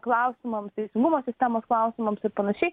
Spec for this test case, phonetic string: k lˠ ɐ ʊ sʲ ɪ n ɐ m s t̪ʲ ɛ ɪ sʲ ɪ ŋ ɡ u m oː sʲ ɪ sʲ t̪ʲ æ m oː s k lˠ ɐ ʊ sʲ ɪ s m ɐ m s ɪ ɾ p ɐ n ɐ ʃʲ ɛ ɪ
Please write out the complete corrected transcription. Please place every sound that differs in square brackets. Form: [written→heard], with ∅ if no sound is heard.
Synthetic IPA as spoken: k lˠ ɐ ʊ sʲ ɪ [n→m] ɐ m s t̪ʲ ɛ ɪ sʲ ɪ ŋ ɡ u m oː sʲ ɪ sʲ t̪ʲ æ m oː s k lˠ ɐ ʊ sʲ ɪ [s→∅] m ɐ m s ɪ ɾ p ɐ n ɐ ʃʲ ɛ ɪ